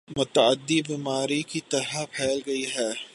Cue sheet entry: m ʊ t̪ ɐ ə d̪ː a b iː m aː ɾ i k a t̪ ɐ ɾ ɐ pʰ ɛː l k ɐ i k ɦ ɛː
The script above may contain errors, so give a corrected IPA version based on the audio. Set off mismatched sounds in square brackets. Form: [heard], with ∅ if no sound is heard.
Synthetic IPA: m ʊ t̪ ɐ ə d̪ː [i] b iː m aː ɾ i k [i] t̪ ɐ ɾ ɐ pʰ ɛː l [ɡ] ɐ i [∅] ɦ ɛː